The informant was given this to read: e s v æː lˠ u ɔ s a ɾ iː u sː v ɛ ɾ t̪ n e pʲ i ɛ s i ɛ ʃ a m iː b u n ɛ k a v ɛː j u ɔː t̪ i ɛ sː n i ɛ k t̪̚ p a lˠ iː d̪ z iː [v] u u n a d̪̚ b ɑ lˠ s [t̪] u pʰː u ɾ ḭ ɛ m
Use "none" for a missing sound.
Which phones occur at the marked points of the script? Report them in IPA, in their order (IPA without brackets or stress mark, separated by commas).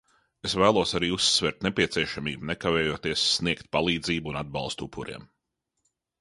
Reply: b, t̪